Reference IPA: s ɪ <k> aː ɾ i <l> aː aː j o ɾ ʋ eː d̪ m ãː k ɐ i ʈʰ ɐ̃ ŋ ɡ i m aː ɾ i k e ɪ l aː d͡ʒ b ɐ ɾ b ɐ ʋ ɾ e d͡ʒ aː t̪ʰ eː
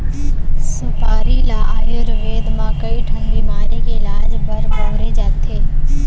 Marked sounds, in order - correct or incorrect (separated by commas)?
incorrect, correct